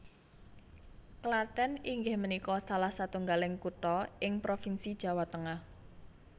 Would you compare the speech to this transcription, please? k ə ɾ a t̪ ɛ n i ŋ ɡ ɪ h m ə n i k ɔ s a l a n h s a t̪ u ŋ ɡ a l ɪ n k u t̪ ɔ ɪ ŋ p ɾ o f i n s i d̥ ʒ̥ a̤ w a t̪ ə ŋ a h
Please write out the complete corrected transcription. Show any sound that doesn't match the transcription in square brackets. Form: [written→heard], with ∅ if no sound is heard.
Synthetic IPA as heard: k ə [ɾ→l] a t̪ ɛ n i ŋ ɡ ɪ h m ə n i k ɔ s a l a [n→∅] h s a t̪ u ŋ ɡ a l ɪ [n→ŋ] k u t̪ ɔ ɪ ŋ p ɾ o f i n s i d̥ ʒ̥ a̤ w a t̪ ə ŋ a h